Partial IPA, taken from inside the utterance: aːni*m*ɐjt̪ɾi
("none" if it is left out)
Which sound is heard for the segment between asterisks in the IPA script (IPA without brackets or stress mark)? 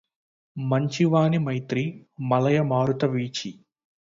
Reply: m